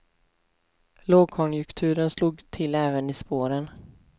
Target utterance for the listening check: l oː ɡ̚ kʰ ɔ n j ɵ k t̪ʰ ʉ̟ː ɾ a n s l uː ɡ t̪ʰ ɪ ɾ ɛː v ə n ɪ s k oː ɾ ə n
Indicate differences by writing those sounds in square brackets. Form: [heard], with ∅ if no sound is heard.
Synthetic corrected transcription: l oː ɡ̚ kʰ ɔ n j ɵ k t̪ʰ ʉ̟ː ɾ [ə] n s l uː ɡ t̪ʰ ɪ [l] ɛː v ə n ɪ s [p] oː ɾ ə n